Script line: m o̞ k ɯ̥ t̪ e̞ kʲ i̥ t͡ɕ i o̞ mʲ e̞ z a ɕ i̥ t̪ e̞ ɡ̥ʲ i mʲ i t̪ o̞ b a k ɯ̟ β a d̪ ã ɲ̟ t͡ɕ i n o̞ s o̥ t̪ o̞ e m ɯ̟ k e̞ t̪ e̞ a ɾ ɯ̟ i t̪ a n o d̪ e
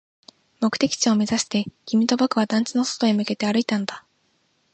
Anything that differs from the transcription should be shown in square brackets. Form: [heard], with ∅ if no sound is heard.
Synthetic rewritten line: m o̞ k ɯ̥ t̪ e̞ kʲ i̥ t͡ɕ i o̞ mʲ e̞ z a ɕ i̥ t̪ e̞ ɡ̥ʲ i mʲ i t̪ o̞ b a k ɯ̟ β a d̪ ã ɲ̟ t͡ɕ i n o̞ s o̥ t̪ o̞ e m ɯ̟ k e̞ t̪ e̞ a ɾ ɯ̟ i t̪ a n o d̪ [a]